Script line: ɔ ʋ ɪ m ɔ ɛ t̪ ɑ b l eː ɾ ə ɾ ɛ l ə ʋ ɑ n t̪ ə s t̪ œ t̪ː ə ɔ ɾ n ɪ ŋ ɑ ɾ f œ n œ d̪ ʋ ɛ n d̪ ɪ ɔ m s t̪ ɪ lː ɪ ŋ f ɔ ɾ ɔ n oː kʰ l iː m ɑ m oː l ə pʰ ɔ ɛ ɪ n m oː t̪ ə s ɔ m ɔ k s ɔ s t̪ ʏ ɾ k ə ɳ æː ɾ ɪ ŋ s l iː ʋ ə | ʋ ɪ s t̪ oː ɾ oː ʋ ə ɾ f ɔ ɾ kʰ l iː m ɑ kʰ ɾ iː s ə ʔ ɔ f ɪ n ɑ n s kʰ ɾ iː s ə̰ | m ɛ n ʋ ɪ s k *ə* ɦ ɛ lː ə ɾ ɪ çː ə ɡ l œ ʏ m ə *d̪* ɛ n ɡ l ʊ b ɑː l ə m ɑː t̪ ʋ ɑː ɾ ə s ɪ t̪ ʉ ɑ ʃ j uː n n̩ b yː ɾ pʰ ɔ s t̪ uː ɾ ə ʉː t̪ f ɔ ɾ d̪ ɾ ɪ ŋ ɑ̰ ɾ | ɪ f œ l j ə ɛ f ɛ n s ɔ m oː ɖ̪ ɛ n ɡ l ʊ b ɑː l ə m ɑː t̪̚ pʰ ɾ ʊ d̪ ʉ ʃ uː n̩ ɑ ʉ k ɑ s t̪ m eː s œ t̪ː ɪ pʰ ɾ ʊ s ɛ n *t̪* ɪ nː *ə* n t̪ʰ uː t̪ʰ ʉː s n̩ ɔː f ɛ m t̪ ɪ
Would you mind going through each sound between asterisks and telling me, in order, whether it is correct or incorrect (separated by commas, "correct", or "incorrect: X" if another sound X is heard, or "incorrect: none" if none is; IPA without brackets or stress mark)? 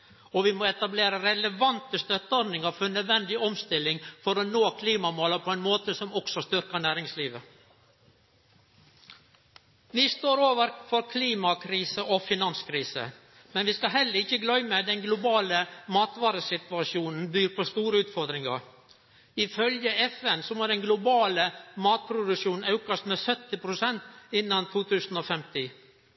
incorrect: ɑ, correct, correct, incorrect: ɑ